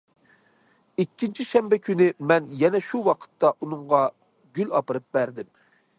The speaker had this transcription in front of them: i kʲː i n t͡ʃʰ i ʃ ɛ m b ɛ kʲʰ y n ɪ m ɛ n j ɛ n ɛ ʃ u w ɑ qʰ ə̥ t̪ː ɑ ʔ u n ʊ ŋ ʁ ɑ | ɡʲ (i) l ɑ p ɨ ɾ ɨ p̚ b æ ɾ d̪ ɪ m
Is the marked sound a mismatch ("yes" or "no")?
yes